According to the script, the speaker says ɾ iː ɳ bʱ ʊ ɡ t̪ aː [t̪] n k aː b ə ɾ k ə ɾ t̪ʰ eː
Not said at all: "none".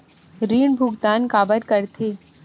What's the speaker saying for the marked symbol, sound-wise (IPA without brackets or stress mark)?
none